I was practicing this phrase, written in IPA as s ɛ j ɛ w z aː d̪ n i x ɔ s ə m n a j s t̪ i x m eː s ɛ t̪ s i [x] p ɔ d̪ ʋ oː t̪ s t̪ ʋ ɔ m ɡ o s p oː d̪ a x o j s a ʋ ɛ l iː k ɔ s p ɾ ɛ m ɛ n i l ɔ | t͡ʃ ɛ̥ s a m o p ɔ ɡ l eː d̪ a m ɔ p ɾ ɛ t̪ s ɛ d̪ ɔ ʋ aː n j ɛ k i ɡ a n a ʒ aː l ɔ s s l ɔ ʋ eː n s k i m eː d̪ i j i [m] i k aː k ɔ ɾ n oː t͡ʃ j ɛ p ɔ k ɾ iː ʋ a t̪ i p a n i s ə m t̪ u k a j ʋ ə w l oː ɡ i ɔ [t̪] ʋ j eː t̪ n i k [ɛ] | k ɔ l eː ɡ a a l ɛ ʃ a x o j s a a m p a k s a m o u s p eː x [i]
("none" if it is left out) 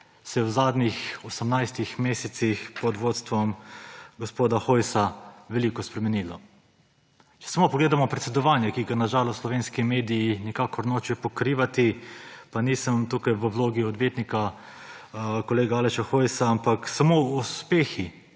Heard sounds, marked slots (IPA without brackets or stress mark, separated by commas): x, n, d̪, a, i